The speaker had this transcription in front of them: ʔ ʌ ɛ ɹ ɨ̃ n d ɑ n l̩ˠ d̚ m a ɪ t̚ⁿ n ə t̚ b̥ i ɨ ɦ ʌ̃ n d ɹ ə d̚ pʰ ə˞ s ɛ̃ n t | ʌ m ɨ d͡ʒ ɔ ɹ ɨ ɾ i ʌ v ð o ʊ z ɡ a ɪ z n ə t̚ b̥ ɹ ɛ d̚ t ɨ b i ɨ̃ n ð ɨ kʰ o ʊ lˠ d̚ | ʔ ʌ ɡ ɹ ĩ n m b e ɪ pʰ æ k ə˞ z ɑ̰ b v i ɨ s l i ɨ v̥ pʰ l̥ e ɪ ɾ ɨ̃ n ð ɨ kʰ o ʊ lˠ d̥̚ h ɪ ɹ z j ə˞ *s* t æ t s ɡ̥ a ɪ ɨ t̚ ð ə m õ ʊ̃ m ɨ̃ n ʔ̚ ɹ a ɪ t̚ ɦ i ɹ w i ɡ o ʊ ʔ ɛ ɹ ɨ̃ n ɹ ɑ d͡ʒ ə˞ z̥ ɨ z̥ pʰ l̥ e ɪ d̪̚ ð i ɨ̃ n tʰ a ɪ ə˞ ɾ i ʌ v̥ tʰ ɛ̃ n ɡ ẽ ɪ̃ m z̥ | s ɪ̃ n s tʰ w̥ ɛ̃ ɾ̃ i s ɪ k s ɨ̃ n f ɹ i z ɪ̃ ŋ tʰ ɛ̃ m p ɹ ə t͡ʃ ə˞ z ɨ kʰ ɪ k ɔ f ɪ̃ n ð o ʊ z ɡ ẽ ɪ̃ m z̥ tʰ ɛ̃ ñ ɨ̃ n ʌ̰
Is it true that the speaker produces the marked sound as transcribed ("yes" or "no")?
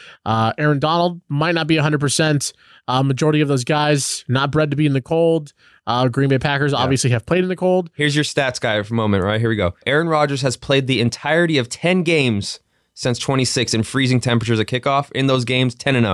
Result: yes